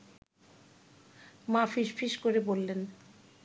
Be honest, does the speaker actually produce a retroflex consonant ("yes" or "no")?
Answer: no